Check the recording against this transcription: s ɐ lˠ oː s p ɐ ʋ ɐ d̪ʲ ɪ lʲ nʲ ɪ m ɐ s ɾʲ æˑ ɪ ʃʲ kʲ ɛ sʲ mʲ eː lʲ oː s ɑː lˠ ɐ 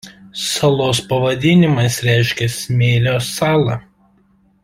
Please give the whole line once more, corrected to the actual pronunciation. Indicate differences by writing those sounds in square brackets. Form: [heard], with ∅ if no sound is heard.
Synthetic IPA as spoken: s ɐ lˠ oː s p ɐ ʋ ɐ d̪ʲ ɪ [∅] nʲ ɪ m ɐ s ɾʲ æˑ ɪ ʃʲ kʲ ɛ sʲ mʲ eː lʲ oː s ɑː lˠ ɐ